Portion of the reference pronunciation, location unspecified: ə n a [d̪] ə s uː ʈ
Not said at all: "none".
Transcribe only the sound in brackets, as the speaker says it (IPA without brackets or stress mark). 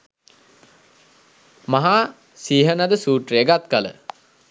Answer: d̪